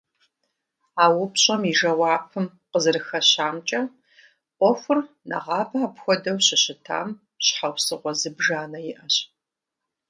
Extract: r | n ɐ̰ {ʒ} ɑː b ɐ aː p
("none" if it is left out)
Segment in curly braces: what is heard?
ʁ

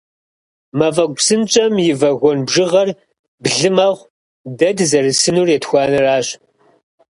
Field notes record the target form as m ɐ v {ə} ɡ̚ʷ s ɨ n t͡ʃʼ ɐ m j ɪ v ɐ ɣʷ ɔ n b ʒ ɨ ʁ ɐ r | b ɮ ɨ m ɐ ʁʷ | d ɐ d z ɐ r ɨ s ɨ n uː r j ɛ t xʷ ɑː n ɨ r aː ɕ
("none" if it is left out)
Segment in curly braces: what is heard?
ɐ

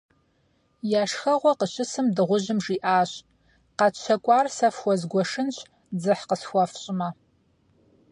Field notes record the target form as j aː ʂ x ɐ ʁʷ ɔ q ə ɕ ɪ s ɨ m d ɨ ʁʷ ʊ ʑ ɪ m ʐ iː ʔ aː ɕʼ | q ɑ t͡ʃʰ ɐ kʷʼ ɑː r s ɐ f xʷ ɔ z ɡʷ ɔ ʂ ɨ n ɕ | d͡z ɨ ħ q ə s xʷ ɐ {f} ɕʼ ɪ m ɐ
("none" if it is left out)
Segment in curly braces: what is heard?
f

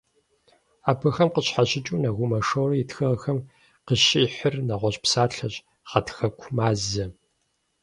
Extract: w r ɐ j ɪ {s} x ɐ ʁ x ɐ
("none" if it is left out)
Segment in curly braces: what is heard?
t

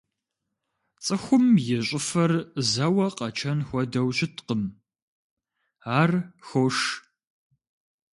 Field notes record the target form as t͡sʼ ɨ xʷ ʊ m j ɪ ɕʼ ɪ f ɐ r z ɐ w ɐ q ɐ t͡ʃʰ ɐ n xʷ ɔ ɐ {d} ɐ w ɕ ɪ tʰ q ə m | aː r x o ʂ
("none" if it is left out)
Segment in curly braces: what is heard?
d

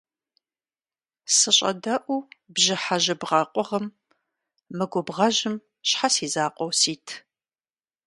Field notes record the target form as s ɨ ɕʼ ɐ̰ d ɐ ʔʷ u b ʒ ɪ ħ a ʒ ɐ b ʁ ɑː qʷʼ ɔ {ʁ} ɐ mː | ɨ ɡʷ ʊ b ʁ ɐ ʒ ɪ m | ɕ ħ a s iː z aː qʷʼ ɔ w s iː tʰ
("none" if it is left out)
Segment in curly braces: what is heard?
ʁ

